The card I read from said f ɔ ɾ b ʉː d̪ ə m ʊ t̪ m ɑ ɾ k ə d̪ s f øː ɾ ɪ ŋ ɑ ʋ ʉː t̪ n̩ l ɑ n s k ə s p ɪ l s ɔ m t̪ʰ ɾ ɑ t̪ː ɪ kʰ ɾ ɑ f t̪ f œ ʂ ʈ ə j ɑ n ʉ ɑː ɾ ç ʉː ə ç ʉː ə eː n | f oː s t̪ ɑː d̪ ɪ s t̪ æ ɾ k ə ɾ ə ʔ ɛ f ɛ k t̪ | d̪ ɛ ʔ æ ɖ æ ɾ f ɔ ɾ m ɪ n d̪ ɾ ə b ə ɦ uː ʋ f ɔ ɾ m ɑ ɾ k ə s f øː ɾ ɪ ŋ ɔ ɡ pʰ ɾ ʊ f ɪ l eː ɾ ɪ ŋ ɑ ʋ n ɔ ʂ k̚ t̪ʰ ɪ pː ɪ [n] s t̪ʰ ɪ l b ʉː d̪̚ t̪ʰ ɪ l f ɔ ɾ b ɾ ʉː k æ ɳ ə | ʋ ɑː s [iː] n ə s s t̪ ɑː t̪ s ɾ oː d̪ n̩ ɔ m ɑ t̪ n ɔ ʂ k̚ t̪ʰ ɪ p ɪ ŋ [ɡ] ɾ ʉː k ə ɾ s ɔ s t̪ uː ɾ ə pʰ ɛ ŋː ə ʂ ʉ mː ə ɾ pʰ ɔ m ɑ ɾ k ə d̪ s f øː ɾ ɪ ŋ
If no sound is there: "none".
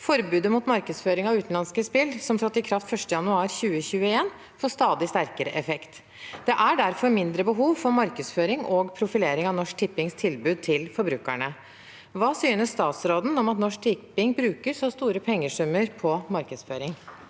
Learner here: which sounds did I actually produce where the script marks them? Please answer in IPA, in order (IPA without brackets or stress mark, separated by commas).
ŋ, yː, b